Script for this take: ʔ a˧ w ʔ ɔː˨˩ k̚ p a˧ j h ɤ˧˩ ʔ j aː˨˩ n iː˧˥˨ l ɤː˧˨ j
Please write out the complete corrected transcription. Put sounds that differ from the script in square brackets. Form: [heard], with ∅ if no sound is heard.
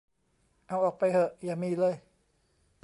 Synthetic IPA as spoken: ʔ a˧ w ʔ ɔː˨˩ k̚ p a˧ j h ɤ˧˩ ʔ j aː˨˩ [m] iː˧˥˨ l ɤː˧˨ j